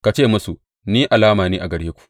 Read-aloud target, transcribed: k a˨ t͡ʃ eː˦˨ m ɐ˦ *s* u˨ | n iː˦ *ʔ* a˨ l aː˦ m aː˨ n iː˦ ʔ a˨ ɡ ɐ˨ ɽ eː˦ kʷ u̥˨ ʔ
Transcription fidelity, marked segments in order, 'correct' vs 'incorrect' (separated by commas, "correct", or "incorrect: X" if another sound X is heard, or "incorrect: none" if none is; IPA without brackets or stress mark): correct, correct